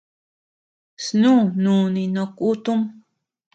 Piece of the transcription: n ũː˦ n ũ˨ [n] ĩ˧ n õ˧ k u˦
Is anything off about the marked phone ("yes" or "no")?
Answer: no